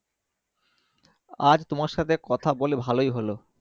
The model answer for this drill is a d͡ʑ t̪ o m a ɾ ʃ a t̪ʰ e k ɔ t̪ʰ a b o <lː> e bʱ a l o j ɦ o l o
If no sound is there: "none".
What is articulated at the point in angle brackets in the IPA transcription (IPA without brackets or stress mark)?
l